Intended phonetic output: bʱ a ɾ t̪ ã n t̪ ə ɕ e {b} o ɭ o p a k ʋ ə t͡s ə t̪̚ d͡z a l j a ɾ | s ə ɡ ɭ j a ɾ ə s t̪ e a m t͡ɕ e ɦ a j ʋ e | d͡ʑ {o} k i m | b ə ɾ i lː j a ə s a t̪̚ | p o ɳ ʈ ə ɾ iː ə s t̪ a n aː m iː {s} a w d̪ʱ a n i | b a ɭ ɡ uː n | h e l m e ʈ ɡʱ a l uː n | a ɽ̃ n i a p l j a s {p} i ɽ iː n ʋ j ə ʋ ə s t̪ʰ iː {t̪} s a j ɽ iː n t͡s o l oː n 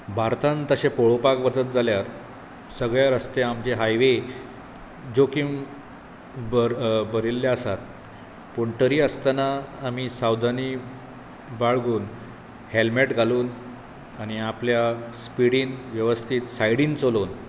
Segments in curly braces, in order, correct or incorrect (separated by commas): incorrect, correct, correct, correct, correct